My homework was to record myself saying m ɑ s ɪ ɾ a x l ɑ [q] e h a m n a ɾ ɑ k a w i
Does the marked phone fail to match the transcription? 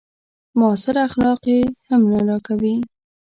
no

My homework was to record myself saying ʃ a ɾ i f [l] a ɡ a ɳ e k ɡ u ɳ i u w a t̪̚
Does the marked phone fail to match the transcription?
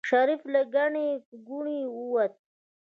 no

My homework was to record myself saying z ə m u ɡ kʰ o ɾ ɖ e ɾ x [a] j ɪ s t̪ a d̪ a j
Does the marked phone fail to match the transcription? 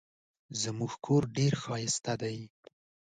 yes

